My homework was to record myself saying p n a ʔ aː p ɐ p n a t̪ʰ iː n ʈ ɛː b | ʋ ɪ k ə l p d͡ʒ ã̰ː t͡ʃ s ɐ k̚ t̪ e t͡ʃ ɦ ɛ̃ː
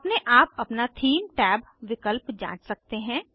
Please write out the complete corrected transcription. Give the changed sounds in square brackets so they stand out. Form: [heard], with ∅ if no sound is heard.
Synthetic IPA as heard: p n [e] ʔ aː p ɐ p n a t̪ʰ iː [m] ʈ ɛː b | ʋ ɪ k ə l p d͡ʒ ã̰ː t͡ʃ s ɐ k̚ t̪ e [∅] ɦ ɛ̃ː